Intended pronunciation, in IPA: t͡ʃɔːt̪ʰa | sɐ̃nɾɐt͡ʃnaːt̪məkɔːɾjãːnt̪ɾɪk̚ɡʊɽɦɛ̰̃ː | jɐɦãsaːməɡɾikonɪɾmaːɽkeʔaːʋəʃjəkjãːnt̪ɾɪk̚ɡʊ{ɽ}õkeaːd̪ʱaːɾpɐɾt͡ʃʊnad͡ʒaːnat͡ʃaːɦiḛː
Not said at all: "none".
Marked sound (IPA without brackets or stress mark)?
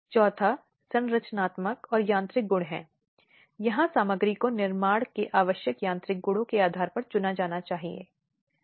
ɽ